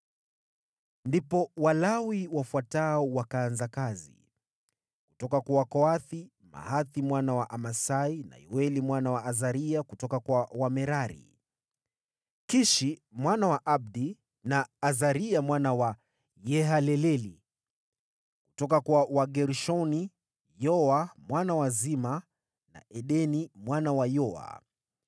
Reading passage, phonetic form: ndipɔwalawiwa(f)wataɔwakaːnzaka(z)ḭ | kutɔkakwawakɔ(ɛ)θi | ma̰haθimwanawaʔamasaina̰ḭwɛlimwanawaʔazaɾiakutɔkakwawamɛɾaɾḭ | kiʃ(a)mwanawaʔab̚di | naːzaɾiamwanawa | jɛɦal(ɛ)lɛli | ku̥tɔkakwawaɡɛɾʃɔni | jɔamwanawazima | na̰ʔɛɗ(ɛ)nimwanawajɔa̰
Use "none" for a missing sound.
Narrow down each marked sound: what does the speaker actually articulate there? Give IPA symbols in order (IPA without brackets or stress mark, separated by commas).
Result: f, z, a, i, ɛ, ɛ